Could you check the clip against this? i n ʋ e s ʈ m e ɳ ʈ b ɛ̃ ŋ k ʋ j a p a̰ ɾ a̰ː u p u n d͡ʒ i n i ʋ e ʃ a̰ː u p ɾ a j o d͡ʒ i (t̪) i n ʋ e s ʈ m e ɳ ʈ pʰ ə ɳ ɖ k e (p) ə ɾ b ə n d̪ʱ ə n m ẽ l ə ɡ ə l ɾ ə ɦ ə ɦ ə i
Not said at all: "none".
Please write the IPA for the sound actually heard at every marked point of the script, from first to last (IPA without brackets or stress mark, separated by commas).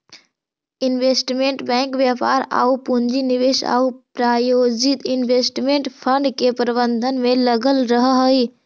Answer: t̪, p